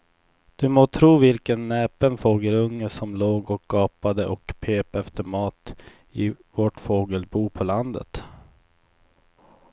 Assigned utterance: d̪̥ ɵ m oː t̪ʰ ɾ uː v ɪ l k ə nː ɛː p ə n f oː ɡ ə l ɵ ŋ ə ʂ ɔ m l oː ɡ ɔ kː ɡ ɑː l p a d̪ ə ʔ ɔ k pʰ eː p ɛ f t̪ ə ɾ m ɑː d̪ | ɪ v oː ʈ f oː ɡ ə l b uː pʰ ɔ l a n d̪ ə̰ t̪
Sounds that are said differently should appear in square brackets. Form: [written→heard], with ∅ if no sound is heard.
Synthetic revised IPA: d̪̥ ɵ m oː t̪ʰ ɾ uː v ɪ l k ə nː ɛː p ə n f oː ɡ ə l ɵ [ŋ→ŋː] ə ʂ ɔ m l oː ɡ ɔ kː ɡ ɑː [l→∅] p a d̪ ə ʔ ɔ k pʰ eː p ɛ f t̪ ə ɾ m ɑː [d̪→t̪] | ɪ v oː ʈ f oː ɡ ə l b uː pʰ ɔ l a n d̪ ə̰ t̪